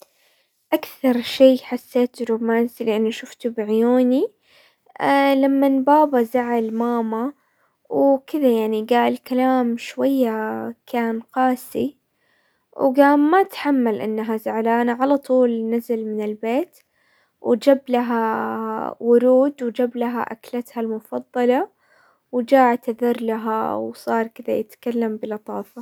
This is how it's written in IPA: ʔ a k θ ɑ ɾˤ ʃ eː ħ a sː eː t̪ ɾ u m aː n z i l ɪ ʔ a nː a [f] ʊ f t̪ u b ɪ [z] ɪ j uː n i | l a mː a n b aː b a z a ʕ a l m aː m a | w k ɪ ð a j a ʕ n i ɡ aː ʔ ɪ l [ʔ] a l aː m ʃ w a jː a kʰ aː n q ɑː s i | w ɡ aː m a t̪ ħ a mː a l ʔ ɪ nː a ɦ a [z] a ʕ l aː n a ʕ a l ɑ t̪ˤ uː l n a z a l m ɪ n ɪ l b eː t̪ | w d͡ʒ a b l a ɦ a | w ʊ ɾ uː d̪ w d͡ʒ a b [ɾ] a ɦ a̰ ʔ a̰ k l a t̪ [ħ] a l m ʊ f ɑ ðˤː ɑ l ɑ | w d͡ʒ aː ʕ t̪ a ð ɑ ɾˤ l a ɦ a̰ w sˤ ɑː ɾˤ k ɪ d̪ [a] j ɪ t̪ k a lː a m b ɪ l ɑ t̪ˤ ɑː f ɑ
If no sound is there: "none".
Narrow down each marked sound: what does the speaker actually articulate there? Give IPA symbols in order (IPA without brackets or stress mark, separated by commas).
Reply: ʃ, ʕ, k, z, l, h, a